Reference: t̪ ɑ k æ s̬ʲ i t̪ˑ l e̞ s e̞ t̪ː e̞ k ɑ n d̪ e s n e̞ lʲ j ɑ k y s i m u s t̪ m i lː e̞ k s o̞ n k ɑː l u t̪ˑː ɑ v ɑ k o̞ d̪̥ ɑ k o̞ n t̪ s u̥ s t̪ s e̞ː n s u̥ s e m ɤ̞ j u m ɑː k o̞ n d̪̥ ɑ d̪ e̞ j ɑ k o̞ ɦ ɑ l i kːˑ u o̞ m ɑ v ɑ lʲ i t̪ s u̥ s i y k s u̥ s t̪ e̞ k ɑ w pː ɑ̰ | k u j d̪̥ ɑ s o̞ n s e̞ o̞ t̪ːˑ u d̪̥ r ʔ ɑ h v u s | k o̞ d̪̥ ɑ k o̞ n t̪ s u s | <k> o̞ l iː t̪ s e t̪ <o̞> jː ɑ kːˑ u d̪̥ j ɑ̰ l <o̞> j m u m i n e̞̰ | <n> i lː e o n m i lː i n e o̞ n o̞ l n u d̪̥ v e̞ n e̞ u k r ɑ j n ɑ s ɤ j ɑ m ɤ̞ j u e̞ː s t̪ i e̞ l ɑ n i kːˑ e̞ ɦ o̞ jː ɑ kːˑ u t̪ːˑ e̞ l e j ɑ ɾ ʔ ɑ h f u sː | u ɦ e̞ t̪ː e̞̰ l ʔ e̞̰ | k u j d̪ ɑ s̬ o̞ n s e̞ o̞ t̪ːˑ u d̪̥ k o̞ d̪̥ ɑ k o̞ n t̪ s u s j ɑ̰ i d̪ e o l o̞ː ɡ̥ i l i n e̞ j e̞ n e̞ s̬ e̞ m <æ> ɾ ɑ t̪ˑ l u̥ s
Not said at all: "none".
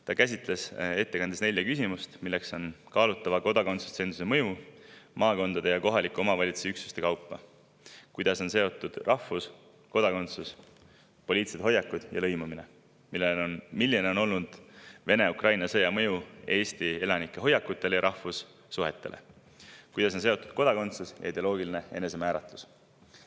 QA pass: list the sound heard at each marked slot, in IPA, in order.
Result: p, o̞, ɤ̞, m, æː

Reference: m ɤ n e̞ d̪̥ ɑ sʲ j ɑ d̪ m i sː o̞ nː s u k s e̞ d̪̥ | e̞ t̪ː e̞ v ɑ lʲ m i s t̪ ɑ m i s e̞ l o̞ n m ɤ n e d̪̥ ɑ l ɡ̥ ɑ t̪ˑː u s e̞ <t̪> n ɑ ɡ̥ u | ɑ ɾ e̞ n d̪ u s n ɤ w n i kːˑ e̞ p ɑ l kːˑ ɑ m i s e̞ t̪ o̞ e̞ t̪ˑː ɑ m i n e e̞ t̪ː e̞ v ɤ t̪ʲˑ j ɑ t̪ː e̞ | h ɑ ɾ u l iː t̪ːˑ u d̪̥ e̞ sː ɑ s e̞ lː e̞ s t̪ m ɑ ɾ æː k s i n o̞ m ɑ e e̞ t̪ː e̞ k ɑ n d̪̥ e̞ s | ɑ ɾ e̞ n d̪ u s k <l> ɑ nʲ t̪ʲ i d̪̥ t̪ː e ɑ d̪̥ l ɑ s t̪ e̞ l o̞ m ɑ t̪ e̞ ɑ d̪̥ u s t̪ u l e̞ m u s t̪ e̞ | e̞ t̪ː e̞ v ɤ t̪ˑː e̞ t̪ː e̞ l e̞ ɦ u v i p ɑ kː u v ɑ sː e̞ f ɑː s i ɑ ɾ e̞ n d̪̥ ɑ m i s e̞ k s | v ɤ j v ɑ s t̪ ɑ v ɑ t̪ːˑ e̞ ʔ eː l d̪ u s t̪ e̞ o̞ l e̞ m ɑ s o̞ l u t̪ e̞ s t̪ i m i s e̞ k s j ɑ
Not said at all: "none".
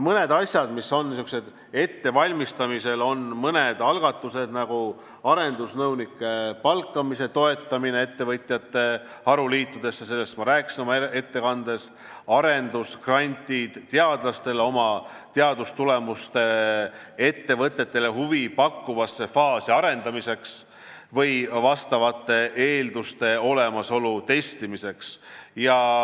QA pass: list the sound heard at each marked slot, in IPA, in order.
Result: d̪, r

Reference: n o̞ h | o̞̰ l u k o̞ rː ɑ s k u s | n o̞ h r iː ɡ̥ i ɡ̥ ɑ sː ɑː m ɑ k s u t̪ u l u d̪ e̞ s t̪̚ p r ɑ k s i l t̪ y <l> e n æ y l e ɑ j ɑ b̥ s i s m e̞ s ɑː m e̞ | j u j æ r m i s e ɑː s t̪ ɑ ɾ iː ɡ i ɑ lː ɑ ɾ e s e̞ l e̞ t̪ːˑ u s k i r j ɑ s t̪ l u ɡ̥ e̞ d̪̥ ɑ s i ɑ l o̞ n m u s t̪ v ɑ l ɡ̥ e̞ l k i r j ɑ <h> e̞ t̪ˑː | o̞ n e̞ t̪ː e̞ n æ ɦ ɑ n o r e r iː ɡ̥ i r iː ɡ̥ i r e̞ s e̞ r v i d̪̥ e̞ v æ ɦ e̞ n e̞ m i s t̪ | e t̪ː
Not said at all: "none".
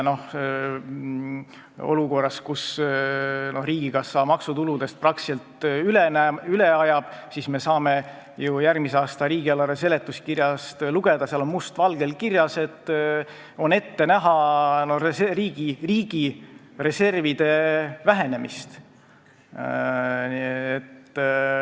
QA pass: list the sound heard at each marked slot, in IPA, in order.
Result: l, s

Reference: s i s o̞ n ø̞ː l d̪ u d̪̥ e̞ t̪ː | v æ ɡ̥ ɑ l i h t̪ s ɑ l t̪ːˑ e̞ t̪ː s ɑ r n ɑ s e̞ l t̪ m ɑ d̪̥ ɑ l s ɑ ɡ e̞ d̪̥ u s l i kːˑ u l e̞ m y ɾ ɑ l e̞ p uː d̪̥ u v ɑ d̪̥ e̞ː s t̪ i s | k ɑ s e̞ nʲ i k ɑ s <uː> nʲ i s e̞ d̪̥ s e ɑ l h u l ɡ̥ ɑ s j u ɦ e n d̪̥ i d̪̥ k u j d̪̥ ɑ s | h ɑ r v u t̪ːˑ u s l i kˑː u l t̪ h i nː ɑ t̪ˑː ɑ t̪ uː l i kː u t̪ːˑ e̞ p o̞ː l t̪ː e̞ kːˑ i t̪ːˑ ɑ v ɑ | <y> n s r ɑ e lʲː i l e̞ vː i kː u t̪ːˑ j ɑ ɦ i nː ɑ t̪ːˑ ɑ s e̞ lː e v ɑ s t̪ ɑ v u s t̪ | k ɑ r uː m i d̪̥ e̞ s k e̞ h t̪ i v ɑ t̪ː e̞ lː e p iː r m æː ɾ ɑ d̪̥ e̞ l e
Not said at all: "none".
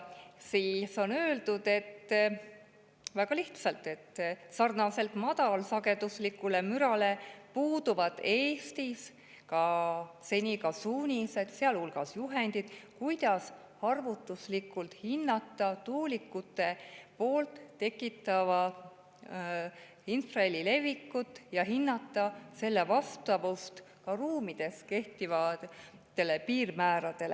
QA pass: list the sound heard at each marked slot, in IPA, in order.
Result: uː, i

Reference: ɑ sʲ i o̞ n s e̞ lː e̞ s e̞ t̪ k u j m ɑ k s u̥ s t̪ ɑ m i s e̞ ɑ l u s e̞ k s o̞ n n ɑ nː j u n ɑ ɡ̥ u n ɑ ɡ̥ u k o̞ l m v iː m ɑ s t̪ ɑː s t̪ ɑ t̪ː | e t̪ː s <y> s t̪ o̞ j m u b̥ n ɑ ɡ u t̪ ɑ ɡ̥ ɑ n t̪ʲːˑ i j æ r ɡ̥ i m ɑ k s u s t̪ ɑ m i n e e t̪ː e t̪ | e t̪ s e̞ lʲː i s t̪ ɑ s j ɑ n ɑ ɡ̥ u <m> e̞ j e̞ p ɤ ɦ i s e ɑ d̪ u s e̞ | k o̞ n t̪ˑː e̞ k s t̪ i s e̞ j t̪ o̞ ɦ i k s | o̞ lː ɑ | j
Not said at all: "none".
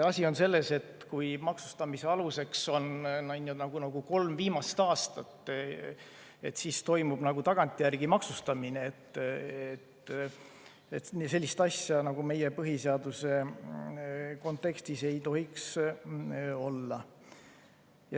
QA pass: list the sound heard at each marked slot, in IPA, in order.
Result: i, m

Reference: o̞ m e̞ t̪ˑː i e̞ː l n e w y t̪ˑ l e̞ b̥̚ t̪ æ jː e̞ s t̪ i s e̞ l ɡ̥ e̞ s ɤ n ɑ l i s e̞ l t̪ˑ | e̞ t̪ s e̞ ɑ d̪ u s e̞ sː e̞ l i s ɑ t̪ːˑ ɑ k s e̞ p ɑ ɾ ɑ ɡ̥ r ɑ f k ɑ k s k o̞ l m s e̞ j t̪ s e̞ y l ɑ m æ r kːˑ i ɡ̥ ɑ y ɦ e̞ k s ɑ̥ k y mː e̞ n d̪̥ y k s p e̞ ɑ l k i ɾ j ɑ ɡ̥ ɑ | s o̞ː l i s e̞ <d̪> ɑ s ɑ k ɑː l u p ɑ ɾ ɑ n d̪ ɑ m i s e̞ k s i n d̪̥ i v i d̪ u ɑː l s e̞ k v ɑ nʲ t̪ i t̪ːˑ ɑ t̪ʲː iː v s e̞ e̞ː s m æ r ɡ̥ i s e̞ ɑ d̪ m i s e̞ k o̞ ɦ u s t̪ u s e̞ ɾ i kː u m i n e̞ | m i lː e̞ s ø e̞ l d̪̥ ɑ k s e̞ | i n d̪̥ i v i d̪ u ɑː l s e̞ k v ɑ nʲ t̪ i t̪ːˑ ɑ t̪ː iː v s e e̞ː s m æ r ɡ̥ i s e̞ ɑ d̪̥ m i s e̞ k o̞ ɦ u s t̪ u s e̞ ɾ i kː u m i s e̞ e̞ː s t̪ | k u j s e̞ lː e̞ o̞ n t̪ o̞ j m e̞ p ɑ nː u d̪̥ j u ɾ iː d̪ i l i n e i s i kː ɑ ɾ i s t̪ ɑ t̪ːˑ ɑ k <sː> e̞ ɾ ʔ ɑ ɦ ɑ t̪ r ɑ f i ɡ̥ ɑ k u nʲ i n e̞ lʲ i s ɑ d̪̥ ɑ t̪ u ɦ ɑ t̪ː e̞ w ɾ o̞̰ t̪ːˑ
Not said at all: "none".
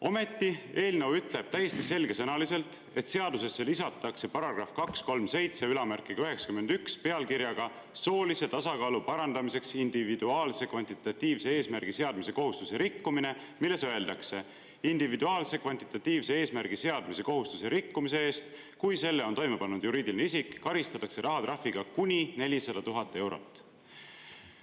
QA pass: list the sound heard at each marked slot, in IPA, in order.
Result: t̪, s

